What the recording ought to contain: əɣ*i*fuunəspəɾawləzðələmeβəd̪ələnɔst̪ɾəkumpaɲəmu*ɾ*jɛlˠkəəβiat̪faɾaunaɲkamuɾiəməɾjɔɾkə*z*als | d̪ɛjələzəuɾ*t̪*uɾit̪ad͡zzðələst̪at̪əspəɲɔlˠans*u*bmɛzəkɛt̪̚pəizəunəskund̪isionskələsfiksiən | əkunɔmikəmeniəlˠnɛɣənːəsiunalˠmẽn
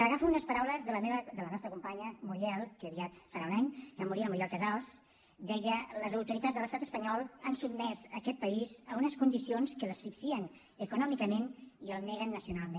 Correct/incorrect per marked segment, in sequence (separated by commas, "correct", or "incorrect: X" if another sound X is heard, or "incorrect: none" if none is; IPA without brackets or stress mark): incorrect: a, correct, correct, correct, correct